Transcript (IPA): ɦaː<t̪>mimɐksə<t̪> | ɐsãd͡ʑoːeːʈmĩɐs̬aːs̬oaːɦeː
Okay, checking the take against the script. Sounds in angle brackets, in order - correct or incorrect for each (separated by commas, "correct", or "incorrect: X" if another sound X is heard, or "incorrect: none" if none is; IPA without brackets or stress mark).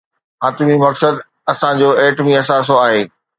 correct, incorrect: d̪